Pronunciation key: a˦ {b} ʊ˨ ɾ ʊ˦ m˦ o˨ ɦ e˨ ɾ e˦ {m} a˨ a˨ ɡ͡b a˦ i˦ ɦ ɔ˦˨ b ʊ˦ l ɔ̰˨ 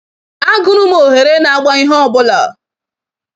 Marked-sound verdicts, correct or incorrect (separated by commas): incorrect, incorrect